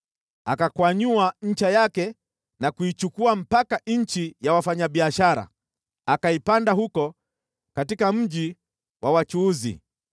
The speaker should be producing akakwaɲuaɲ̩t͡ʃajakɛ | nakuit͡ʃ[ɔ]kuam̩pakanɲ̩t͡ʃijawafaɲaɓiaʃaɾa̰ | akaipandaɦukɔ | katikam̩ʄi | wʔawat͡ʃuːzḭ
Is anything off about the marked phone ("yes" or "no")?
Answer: yes